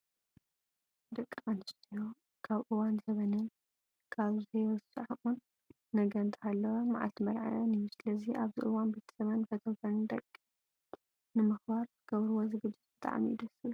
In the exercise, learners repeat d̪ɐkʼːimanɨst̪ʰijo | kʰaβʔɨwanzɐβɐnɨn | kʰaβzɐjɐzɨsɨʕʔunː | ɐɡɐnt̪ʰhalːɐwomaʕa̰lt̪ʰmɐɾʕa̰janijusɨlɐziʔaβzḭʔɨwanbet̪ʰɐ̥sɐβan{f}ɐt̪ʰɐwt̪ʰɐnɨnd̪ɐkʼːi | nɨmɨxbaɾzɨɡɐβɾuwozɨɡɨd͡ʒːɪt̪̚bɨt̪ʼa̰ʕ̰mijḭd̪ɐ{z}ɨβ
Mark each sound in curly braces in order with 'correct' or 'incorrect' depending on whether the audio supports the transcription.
correct, incorrect: s

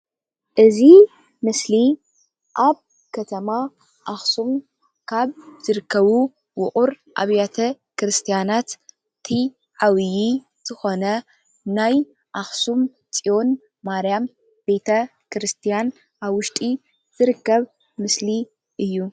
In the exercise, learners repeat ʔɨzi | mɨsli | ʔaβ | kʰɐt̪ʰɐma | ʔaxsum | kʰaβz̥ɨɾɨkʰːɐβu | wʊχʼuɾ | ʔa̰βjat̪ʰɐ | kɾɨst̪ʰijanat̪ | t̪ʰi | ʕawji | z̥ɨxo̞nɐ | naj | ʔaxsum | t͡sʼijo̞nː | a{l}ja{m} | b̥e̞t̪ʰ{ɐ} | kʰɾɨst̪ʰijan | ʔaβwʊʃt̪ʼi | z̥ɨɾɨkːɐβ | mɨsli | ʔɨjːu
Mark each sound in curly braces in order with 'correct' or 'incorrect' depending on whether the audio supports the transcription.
incorrect: ɾ, correct, correct

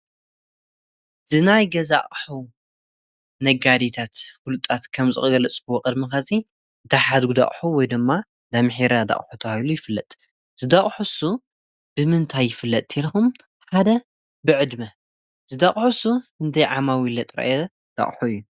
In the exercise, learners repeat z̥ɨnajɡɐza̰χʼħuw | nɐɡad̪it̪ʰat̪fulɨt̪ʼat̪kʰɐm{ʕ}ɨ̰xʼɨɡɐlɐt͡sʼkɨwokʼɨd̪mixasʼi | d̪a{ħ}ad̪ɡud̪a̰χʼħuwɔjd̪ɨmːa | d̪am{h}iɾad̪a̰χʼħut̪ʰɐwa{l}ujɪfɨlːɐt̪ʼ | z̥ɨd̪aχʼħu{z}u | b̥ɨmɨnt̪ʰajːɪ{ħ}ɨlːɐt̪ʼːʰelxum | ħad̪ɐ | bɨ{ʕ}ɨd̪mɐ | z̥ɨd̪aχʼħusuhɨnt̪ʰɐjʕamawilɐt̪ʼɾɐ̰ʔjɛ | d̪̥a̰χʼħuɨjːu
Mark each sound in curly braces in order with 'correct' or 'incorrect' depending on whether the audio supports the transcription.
incorrect: z, correct, incorrect: ħ, correct, incorrect: s, incorrect: f, correct

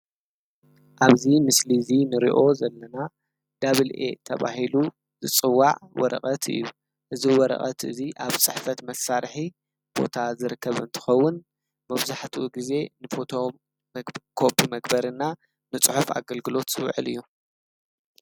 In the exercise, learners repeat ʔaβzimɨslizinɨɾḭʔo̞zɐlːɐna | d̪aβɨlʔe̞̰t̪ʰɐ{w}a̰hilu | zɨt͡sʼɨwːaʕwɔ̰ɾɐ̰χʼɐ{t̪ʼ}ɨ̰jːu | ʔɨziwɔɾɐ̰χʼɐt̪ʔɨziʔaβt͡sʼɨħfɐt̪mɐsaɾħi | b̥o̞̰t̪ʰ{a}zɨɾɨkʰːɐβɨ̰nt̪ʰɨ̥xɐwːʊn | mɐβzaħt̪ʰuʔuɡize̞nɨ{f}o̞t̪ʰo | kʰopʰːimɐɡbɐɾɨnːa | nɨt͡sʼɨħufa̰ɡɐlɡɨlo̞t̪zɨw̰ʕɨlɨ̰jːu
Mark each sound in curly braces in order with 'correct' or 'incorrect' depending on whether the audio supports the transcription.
incorrect: β, incorrect: t̪, correct, correct

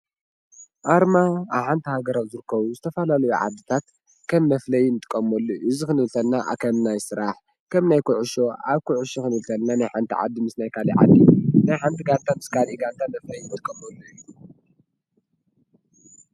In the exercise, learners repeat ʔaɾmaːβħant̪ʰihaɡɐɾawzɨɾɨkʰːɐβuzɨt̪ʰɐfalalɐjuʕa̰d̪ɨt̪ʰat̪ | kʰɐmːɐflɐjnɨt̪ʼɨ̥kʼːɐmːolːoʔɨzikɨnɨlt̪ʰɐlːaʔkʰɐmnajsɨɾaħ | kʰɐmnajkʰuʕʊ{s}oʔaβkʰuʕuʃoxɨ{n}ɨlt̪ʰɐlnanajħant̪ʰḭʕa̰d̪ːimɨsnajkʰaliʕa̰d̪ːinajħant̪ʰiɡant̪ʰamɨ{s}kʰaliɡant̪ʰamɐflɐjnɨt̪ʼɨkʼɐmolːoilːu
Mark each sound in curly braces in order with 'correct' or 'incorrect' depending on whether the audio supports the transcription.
incorrect: ʃ, correct, correct

